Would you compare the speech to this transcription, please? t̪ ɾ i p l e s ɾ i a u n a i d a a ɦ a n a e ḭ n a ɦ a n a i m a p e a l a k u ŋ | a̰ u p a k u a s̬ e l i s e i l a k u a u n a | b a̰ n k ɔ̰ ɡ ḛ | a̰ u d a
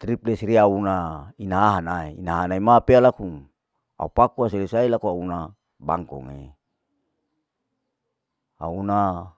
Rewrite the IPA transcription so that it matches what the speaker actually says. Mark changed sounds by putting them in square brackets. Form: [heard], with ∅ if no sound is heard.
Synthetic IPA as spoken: t̪ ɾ i p l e s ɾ i a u n a i [n] a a ɦ a n a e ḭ n a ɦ a n a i m a p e a l a k u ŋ | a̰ u p a k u a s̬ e l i s [a] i l a k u a u n a | b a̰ [ŋ] k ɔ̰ [ŋ] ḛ | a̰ u [n] a